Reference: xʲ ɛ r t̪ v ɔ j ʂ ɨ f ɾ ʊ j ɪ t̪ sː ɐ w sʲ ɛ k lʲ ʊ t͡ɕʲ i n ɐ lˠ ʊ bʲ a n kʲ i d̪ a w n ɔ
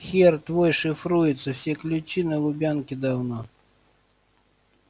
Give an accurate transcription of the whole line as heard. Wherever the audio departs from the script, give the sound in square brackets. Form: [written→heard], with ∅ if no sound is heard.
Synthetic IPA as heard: xʲ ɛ r t̪ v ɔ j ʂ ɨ f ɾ [ʊ→u] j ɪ t̪ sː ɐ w sʲ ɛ k lʲ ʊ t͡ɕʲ i n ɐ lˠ ʊ bʲ a n kʲ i d̪ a w n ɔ